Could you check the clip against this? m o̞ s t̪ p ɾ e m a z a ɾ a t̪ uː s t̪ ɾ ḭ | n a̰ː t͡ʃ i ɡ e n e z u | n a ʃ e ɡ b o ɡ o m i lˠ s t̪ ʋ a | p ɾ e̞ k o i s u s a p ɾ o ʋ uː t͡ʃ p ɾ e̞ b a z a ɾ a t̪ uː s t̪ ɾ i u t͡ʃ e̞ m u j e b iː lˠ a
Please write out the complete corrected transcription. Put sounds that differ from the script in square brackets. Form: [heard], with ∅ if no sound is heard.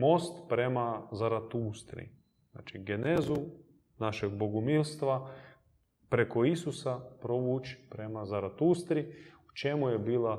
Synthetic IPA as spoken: m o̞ s t̪ p ɾ e m a z a ɾ a t̪ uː s t̪ ɾ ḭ | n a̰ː t͡ʃ i ɡ e n e z u | n a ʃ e ɡ b o ɡ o m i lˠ s t̪ ʋ a | p ɾ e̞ k o i s u s a p ɾ o ʋ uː t͡ʃ p ɾ e̞ [m] a z a ɾ a t̪ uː s t̪ ɾ i u t͡ʃ e̞ m u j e b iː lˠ a